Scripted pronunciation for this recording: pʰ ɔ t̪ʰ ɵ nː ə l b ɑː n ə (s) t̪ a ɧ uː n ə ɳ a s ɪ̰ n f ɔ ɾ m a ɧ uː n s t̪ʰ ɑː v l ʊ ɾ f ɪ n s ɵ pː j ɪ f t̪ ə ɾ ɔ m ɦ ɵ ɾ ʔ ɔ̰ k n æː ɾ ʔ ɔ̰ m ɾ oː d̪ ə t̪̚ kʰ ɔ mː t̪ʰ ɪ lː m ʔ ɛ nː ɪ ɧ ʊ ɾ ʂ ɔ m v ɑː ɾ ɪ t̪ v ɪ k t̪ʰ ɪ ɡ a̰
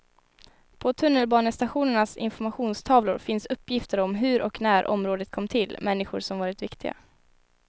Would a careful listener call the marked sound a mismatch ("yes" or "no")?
no